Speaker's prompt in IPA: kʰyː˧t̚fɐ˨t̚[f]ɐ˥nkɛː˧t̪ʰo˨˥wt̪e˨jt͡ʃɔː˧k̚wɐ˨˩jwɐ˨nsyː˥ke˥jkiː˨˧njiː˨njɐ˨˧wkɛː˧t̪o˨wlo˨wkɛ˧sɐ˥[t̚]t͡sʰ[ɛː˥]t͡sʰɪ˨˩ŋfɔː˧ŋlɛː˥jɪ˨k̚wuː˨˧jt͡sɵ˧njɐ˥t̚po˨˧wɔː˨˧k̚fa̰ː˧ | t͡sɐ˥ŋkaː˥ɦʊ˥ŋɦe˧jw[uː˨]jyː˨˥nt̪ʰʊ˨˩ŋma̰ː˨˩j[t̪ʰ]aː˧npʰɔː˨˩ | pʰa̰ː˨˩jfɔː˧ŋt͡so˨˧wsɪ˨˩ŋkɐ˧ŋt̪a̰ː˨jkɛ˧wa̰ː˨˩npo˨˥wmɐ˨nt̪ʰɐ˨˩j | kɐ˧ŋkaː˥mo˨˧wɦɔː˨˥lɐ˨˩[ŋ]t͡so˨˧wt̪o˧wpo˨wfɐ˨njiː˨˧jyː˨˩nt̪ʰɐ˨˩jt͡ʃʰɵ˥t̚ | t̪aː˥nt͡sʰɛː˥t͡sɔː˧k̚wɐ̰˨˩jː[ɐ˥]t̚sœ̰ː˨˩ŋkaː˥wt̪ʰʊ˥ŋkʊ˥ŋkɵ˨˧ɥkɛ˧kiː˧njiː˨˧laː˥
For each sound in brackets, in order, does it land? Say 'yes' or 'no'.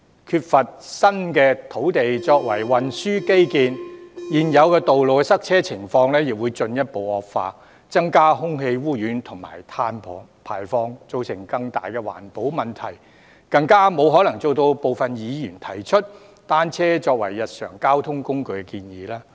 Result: no, no, yes, no, yes, yes, no

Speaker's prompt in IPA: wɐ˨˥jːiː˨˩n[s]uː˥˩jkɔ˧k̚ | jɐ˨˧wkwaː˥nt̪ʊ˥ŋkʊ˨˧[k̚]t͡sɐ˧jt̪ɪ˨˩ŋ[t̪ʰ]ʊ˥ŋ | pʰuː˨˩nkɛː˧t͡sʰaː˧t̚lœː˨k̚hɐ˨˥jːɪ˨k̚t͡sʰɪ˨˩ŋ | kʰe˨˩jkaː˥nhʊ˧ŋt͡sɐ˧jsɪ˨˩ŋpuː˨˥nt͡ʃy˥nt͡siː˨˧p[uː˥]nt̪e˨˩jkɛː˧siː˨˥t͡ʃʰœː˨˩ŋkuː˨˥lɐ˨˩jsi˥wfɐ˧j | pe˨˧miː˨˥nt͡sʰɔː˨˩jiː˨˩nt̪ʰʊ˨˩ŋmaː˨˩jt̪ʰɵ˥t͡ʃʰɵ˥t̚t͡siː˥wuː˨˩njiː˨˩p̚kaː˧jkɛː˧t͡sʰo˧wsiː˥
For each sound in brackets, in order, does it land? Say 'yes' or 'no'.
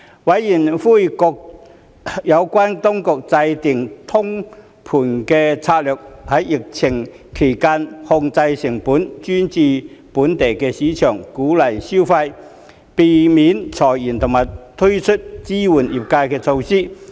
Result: no, yes, yes, no

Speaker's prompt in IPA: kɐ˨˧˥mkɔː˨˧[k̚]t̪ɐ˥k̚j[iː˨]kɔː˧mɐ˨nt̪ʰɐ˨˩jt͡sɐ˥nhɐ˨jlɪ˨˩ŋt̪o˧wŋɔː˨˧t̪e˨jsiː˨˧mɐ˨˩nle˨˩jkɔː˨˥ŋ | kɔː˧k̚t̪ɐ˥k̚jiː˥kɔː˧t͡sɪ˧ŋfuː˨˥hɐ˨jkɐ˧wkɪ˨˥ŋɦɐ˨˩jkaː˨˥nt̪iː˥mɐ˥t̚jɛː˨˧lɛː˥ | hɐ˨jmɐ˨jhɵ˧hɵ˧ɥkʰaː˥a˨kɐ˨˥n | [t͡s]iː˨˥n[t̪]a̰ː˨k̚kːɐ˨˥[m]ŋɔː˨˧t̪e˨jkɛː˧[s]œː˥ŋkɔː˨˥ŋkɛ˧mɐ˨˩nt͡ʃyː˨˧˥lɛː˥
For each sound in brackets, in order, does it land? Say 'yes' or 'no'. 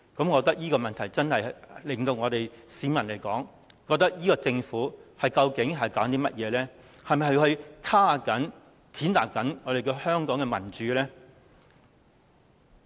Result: yes, no, no, yes, no, no

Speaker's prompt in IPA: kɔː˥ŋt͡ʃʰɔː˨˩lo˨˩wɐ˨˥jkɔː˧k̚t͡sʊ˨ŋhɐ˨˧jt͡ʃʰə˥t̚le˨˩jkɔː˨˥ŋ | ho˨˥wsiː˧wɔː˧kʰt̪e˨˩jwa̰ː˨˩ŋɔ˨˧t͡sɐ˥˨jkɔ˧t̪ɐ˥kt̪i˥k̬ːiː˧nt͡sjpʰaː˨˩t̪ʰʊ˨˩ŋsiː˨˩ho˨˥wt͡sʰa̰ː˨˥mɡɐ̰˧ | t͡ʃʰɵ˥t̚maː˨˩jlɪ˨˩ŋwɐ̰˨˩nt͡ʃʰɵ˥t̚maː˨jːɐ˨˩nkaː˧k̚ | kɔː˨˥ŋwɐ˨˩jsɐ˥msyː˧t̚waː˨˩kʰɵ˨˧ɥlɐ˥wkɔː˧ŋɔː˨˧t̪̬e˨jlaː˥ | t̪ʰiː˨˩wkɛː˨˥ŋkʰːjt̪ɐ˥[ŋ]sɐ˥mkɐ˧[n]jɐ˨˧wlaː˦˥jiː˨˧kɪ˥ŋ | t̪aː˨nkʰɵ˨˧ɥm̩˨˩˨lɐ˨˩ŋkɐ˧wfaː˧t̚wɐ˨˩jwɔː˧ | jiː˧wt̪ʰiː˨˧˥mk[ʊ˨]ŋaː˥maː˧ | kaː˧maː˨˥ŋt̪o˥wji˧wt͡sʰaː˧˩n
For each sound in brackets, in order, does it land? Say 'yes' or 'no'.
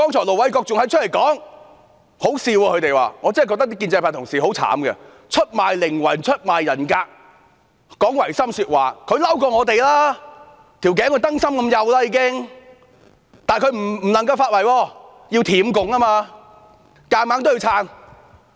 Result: yes, no, yes

